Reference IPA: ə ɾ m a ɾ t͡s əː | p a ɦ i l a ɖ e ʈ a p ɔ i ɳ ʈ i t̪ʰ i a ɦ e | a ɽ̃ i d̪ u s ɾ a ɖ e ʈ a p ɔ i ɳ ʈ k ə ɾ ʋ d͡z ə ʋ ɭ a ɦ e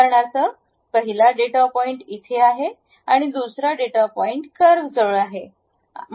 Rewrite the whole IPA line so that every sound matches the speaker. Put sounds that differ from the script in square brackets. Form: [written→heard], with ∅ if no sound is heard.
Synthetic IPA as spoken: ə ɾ [m→ɳ] a ɾ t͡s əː | p [a→ə] ɦ i l a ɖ e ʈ a p ɔ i ɳ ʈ i t̪ʰ [i→e] a ɦ e | a ɽ̃ i d̪ u s ɾ a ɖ e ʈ a p ɔ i ɳ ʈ k ə ɾ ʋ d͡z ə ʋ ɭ a ɦ e